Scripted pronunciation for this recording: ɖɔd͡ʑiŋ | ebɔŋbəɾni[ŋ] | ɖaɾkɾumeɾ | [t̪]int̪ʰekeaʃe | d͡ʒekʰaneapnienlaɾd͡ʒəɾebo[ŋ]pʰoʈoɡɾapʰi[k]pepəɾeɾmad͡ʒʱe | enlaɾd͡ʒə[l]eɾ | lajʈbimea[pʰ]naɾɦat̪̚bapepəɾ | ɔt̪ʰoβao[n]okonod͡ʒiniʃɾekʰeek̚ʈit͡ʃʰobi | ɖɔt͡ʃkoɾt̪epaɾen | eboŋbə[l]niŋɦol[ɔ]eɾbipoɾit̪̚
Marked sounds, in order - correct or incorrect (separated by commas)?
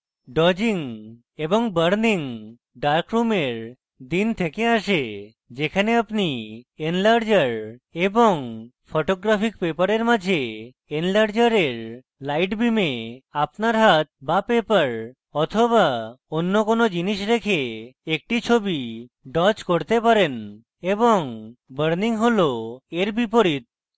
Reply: correct, incorrect, correct, correct, incorrect, incorrect, incorrect, incorrect, incorrect